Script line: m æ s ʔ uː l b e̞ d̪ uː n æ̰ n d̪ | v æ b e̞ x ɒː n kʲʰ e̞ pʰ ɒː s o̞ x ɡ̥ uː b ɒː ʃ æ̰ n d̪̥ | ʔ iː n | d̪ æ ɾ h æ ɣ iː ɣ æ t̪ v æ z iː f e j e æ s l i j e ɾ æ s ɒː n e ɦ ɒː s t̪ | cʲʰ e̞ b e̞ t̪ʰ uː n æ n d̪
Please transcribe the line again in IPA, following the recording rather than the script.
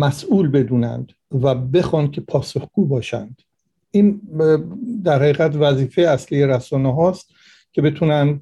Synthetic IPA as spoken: m æ s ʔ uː l b e̞ d̪ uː n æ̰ n d̪ | v æ b e̞ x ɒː n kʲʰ e̞ pʰ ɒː s o̞ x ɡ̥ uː b ɒː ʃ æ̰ n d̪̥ | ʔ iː n | d̪ æ ɾ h æ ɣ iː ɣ æ t̪ v æ z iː f e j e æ s l i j e ɾ æ s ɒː n e ɦ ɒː s t̪ | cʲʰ e̞ b e̞ t̪ʰ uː n æ n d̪